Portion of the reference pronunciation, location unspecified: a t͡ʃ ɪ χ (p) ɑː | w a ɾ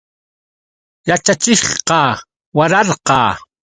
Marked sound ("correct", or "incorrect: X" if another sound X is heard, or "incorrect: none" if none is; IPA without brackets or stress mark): incorrect: q